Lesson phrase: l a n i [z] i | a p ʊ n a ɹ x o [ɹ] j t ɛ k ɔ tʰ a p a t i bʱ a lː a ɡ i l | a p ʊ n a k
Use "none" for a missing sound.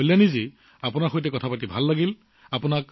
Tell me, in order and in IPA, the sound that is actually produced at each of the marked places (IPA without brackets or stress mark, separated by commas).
z, none